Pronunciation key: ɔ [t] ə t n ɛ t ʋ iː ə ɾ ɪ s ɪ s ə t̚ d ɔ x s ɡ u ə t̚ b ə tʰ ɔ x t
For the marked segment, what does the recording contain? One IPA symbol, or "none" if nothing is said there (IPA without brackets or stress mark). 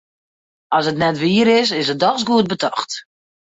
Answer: s